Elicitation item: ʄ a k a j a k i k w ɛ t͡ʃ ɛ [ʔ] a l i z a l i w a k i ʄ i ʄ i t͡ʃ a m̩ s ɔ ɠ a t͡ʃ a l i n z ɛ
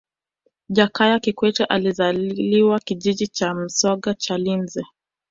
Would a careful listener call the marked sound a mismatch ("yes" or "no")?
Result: no